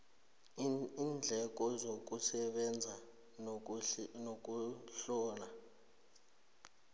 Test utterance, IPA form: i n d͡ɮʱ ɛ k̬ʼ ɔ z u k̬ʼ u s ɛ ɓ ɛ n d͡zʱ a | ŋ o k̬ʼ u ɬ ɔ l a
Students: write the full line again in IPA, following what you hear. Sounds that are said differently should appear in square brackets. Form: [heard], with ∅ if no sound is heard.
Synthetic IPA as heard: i n d͡ɮʱ ɛ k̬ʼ ɔ z [o] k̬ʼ u s ɛ ɓ ɛ n d͡zʱ a | [n] o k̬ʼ u ɬ [ɔː] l a